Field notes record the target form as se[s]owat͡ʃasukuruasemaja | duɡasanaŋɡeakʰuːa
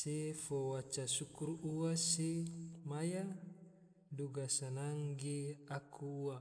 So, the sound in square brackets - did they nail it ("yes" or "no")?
no